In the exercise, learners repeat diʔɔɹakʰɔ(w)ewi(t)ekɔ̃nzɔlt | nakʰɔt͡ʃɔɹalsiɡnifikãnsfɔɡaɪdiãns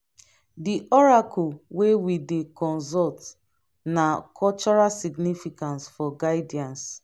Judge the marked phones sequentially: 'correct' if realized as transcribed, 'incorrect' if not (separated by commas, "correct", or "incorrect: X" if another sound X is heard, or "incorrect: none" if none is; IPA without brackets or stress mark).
correct, incorrect: d